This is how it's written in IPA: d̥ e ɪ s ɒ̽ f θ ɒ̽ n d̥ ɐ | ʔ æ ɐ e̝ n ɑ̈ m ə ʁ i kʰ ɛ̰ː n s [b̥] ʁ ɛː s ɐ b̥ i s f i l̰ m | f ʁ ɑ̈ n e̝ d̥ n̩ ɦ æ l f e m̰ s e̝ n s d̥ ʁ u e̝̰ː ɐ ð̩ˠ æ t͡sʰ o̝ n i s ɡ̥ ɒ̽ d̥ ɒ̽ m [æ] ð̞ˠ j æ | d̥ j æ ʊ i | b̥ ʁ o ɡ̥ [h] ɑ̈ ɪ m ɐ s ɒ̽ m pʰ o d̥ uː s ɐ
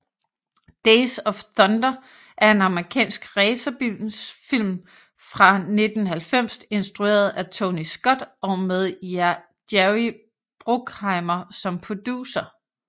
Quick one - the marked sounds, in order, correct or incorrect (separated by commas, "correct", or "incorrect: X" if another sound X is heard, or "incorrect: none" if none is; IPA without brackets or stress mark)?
incorrect: ɡ̥, incorrect: e, correct